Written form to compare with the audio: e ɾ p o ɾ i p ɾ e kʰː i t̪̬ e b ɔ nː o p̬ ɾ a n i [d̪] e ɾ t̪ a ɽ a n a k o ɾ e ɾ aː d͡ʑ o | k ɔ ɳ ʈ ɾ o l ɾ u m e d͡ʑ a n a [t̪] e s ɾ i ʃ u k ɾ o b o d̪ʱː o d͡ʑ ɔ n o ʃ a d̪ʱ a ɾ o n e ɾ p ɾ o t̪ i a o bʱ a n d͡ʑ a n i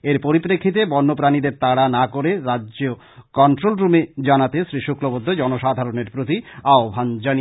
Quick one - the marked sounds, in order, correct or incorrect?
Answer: correct, correct

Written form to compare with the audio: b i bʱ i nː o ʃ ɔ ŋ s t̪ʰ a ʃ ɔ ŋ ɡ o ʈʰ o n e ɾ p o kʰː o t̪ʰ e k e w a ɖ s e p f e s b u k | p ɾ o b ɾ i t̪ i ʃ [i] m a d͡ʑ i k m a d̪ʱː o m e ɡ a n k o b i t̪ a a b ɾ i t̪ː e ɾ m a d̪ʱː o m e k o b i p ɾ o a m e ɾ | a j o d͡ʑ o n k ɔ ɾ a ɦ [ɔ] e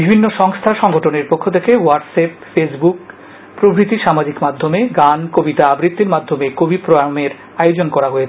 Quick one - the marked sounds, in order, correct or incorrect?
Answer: incorrect: a, incorrect: o

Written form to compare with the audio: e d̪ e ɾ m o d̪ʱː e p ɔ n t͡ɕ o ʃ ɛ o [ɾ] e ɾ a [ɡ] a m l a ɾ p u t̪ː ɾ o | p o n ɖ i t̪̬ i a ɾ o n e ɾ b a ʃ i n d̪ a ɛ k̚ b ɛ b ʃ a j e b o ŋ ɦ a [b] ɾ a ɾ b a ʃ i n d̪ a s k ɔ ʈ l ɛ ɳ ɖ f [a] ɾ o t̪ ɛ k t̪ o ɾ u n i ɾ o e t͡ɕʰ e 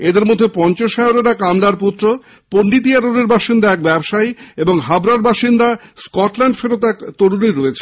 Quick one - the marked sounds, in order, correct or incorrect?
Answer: correct, incorrect: k, correct, incorrect: e

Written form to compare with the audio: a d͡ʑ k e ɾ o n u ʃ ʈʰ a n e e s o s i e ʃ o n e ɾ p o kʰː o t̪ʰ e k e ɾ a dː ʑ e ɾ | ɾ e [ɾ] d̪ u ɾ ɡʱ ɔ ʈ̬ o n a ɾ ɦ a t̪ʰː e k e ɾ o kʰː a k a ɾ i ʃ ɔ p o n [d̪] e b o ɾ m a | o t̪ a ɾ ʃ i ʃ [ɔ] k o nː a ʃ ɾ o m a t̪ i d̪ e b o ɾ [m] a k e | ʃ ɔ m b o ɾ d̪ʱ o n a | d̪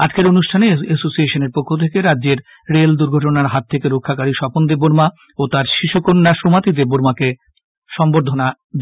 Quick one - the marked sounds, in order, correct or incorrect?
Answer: incorrect: l, correct, incorrect: u, correct

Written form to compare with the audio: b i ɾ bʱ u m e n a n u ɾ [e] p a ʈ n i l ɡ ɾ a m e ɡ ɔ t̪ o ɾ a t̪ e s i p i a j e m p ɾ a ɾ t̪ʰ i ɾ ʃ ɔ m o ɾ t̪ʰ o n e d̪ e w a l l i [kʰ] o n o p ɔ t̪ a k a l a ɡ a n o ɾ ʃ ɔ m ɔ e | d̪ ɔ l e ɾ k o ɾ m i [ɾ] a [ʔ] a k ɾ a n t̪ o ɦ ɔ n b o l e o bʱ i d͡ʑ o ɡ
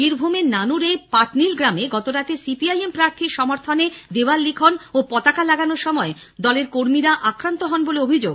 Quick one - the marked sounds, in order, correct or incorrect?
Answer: correct, correct, correct, correct

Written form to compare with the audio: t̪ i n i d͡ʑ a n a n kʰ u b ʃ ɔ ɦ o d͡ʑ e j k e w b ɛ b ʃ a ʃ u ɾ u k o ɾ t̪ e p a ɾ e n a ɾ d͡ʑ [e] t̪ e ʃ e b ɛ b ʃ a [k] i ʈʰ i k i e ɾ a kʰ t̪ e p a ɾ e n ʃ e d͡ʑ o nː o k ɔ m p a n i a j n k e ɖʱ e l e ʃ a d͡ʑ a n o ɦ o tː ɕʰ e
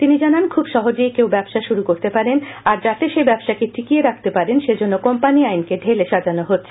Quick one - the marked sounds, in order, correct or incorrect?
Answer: incorrect: a, correct

